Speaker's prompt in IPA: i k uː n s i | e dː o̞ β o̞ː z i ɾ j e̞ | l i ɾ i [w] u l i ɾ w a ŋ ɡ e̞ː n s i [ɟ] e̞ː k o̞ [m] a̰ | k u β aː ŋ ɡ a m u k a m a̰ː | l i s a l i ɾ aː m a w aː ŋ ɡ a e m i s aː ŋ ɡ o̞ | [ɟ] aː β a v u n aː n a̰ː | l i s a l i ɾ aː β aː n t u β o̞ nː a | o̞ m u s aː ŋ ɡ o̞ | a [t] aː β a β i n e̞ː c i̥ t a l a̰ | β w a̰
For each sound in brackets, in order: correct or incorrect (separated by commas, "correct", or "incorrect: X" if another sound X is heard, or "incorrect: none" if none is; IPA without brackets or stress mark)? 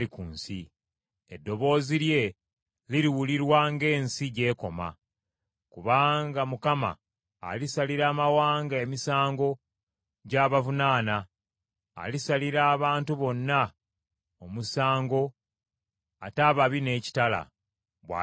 correct, correct, correct, correct, correct